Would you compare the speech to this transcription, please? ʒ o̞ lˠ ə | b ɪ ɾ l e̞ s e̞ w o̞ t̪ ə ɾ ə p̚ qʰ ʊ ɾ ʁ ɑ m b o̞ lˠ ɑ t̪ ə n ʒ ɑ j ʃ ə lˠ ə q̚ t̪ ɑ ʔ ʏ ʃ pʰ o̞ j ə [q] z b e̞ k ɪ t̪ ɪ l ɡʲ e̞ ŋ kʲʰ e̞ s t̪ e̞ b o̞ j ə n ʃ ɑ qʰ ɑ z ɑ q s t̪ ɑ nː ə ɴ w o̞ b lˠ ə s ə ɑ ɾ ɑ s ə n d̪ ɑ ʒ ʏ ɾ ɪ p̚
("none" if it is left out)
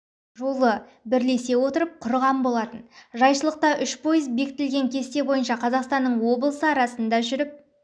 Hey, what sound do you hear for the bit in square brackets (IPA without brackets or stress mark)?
none